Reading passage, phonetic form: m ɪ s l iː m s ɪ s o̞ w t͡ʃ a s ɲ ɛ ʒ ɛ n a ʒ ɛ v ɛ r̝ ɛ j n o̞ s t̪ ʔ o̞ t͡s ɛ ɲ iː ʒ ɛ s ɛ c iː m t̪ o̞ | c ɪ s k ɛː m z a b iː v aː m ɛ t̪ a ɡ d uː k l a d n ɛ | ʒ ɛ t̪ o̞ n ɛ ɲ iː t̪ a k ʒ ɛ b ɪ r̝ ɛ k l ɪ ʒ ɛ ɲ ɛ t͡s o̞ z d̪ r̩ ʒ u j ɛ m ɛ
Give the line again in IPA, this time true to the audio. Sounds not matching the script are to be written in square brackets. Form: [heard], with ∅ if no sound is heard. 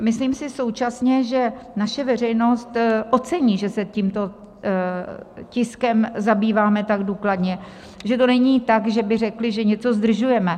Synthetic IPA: m ɪ s l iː m s ɪ s o̞ w t͡ʃ a s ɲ ɛ ʒ ɛ n a [ʃ] ɛ v ɛ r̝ ɛ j n o̞ s t̪ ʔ o̞ t͡s ɛ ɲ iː ʒ ɛ s ɛ c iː m t̪ o̞ | c ɪ s k [ɛ] m z a b iː v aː m ɛ t̪ a ɡ d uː k l a d [ɲ] ɛ | ʒ ɛ t̪ o̞ n ɛ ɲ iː t̪ a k ʒ ɛ b ɪ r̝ ɛ k l ɪ ʒ ɛ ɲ ɛ t͡s o̞ z d̪ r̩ ʒ u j ɛ m ɛ